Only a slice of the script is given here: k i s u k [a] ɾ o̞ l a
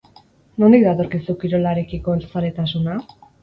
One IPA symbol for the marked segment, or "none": i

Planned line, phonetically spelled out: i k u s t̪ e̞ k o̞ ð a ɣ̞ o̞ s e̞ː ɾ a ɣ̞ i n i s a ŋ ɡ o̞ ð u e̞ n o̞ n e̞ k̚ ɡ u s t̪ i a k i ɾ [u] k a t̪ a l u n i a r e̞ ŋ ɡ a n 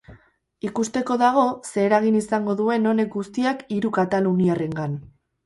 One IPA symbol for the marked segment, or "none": u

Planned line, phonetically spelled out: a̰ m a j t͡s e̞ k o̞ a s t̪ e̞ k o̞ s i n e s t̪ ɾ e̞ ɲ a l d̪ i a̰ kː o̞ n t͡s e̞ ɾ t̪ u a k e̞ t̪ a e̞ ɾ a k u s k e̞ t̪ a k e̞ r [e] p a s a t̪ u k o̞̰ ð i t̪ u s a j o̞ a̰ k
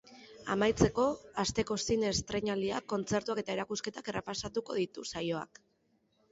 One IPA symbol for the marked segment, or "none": e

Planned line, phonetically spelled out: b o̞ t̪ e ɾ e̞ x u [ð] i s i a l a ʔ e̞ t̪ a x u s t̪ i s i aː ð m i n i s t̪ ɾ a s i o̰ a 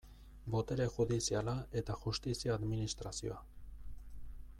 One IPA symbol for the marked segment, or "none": ð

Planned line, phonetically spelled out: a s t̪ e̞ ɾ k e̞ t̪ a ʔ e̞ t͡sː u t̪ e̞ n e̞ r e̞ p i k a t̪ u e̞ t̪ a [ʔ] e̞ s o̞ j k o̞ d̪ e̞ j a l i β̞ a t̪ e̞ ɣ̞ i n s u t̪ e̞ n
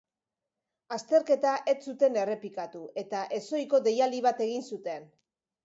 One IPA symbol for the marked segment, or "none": ʔ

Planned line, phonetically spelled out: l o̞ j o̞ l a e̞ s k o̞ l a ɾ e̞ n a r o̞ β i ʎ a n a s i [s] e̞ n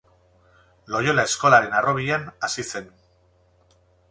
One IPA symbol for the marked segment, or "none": s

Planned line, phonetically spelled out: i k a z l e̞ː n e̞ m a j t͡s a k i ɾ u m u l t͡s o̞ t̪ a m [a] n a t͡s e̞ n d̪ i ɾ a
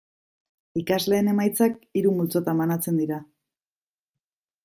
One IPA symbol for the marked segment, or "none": a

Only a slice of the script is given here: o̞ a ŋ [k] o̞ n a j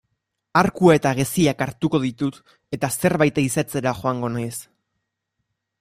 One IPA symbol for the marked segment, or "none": ɡ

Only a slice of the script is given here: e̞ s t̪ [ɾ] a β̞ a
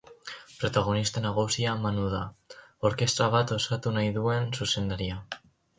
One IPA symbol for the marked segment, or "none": ɾ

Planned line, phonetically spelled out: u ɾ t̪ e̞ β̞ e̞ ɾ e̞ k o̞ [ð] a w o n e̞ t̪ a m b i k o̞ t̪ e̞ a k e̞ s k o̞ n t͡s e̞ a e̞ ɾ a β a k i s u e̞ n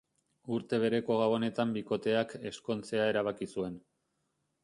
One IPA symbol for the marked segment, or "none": ɣ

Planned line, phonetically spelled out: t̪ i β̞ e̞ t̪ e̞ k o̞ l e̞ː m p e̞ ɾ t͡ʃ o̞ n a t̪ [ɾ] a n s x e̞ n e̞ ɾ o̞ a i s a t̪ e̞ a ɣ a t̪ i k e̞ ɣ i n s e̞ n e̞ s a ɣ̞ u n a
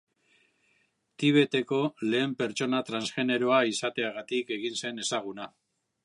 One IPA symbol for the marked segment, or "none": ɾ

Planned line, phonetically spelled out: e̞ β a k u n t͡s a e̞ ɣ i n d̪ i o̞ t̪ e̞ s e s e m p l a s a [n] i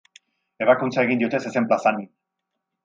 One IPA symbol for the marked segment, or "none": n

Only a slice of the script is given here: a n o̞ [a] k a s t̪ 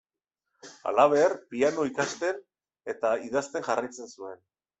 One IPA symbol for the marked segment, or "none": i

